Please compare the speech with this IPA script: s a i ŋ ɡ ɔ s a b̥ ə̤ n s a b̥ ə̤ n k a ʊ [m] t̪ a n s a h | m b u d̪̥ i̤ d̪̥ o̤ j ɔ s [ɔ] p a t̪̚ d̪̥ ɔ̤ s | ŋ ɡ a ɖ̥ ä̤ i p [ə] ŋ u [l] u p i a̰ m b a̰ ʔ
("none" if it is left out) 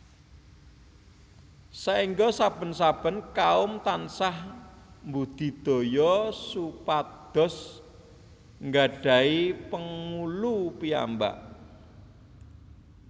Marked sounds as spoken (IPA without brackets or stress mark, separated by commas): m, u, ə, l